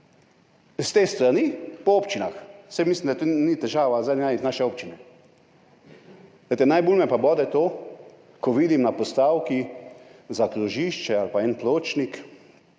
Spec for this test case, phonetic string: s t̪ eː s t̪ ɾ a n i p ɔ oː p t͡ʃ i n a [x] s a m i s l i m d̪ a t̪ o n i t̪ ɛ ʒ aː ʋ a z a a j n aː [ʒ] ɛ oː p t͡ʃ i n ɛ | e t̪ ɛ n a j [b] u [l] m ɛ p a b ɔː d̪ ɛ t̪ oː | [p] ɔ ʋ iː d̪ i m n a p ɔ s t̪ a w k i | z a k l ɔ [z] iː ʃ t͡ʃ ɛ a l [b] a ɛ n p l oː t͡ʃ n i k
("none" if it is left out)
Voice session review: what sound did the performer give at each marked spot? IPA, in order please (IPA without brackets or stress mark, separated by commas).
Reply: x, ʃ, b, l, k, ʒ, p